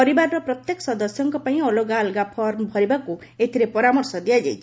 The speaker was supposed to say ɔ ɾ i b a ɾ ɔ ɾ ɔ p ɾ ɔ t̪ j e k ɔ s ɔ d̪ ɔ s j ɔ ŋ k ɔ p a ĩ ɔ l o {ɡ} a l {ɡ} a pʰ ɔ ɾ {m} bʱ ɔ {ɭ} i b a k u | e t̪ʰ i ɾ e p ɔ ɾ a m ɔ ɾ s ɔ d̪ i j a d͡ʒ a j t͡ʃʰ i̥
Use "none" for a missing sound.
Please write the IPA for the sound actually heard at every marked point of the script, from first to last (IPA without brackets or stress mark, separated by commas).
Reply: ɡ, ɡ, m, ɾ